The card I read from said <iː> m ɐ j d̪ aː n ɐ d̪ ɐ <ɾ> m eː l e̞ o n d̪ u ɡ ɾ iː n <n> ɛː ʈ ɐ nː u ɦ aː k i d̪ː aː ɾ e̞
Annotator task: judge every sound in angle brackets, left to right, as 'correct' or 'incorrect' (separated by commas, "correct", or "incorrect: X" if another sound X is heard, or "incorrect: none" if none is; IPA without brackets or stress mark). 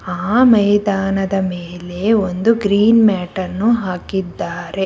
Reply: incorrect: aː, incorrect: none, incorrect: m